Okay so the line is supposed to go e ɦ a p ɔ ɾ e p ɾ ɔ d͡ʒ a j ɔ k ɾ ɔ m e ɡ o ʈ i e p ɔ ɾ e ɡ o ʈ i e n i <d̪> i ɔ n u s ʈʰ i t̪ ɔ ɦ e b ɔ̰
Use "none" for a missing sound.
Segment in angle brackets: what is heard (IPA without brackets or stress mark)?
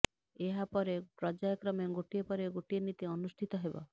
t̪